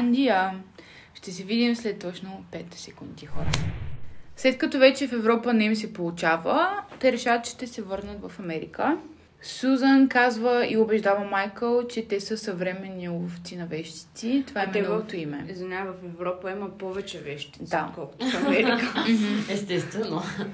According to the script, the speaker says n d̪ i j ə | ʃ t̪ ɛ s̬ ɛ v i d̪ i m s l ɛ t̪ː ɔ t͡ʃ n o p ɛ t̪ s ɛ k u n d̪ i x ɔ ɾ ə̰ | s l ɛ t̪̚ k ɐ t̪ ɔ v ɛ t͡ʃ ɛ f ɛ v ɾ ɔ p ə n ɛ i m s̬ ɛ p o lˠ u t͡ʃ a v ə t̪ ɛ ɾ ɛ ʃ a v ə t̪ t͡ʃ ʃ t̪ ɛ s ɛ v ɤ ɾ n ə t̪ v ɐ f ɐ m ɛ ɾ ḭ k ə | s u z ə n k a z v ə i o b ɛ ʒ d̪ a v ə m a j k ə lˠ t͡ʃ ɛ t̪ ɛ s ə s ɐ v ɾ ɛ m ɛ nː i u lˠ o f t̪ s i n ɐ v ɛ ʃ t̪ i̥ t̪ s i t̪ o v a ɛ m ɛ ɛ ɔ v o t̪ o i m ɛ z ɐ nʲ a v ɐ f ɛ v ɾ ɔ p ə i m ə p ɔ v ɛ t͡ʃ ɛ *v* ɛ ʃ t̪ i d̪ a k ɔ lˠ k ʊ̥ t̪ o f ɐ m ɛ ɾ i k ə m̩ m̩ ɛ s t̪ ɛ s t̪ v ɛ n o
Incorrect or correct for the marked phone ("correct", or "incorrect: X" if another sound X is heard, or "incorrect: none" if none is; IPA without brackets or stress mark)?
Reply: correct